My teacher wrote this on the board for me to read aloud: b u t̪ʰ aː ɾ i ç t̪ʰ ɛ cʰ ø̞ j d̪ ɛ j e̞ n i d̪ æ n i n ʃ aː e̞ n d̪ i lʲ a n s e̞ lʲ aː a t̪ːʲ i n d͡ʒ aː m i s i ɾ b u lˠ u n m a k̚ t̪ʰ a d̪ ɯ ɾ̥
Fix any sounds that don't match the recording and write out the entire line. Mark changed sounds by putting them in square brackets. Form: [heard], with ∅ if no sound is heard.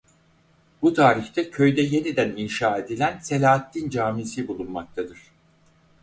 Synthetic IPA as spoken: b u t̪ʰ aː ɾ i ç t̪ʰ ɛ cʰ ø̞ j d̪ ɛ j e̞ n i d̪ æ n i n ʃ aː e̞ [∅] d̪ i lʲ [æ] n s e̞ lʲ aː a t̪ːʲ i n d͡ʒ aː m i s i [∅] b u lˠ u n m a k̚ t̪ʰ a d̪ ɯ ɾ̥